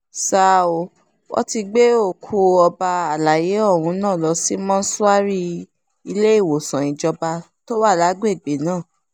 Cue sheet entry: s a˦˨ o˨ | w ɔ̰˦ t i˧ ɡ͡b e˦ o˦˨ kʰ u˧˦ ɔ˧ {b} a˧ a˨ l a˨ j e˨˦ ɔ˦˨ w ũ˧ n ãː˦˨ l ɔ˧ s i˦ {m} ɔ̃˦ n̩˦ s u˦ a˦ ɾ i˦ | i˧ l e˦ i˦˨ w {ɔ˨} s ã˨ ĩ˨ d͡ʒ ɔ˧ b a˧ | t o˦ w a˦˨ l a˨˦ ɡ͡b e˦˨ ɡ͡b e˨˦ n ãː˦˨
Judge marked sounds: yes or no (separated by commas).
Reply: yes, yes, no